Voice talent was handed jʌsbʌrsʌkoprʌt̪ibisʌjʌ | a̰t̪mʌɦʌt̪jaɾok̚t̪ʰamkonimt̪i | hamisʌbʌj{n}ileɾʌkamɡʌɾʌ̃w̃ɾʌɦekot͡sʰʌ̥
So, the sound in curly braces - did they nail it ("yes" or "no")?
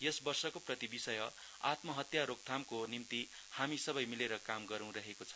no